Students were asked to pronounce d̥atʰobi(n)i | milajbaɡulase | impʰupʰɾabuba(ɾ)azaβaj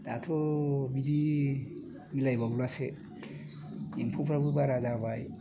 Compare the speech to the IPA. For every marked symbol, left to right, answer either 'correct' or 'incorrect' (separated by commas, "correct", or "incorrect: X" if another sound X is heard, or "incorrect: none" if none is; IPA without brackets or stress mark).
incorrect: d, correct